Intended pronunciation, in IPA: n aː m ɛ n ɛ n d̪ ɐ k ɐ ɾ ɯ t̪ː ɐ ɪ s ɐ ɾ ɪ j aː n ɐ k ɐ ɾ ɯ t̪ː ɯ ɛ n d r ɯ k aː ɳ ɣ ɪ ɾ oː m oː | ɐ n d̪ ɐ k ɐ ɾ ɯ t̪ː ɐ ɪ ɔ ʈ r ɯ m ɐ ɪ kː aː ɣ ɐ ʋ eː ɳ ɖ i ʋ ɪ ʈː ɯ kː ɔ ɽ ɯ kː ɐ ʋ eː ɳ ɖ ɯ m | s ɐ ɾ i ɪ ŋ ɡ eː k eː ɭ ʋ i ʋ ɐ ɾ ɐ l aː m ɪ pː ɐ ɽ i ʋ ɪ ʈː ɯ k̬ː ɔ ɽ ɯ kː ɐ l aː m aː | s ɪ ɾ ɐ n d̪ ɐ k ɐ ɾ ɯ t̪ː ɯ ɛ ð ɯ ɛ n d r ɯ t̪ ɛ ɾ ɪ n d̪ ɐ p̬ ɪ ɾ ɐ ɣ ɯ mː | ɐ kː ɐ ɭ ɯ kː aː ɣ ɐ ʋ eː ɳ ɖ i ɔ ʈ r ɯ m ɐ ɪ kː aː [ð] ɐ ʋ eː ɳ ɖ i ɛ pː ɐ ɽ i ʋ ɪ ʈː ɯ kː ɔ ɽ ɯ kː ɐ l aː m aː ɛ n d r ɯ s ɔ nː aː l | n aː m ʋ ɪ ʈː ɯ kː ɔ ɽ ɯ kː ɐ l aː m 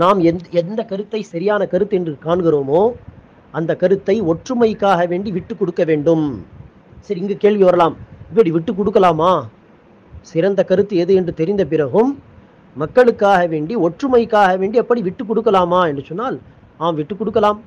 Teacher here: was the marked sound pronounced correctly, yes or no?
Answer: no